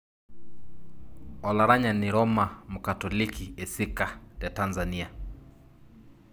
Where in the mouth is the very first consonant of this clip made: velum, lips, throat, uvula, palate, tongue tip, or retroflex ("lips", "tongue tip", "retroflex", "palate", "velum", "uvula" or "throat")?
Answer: tongue tip